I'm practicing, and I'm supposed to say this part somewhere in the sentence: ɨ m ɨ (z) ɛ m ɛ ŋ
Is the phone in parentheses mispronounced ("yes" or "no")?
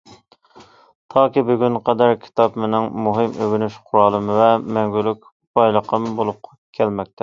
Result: yes